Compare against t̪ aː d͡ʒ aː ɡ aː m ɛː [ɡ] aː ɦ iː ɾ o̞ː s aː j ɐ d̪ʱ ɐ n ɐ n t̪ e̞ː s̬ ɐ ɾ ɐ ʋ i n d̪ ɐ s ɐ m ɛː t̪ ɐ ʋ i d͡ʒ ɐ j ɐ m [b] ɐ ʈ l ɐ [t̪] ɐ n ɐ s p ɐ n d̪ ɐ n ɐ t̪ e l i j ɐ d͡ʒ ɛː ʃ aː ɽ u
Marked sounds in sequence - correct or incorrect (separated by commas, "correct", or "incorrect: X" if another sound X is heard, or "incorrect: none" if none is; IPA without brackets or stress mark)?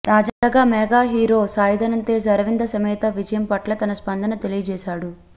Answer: correct, incorrect: p, correct